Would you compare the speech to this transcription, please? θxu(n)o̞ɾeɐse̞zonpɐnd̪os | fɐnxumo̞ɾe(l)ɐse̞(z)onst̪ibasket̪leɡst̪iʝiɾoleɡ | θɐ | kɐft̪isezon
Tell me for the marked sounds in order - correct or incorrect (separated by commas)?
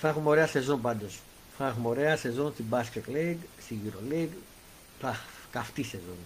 incorrect, incorrect, correct